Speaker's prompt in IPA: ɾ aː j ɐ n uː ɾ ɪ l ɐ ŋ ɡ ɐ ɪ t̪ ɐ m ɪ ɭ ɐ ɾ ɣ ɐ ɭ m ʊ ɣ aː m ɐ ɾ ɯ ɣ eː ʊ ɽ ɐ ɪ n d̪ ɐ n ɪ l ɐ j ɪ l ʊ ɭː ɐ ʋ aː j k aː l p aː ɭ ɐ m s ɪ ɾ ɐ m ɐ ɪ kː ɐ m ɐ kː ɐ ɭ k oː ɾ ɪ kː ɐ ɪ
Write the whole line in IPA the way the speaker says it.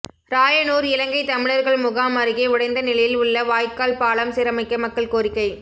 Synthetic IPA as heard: ɾ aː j ɐ n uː ɾ ɪ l ɐ ŋ ɡ ɐ ɪ t̪ ɐ m ɪ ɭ ɐ ɾ ɣ ɐ ɭ m ʊ ɣ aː m ɐ ɾ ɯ ɣ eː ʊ ɽ ɐ ɪ n d̪ ɐ n ɪ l ɐ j ɪ l ʊ ɭː ɐ ʋ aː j k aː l p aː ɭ ɐ m s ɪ ɾ ɐ m ɐ ɪ kː ɐ m ɐ kː ɐ ɭ k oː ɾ ɪ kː ɐ ɪ